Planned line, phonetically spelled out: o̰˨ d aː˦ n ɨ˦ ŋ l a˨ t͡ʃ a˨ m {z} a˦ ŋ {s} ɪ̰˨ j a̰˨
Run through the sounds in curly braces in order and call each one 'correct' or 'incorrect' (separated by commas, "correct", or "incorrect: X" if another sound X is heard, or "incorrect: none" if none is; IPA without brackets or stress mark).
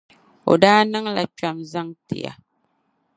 correct, incorrect: t